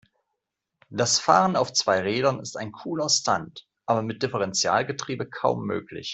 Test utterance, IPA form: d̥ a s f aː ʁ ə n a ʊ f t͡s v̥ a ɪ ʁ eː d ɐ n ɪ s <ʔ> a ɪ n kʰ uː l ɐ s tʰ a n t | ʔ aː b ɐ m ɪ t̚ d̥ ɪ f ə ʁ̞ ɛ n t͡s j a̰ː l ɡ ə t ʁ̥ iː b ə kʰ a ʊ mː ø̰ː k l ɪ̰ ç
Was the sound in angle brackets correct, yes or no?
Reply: no